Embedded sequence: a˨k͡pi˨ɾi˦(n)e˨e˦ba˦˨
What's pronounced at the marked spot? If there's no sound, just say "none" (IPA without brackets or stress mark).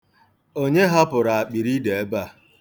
d